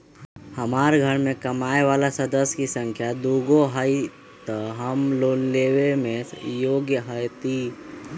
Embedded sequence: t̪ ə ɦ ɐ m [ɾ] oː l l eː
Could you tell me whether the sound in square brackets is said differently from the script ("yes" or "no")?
yes